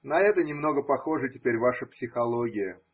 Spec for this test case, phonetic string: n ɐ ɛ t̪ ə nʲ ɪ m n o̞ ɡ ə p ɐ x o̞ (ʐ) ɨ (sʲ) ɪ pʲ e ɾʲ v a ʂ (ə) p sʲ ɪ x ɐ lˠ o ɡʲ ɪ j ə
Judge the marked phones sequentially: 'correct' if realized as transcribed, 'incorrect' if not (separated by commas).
correct, incorrect, correct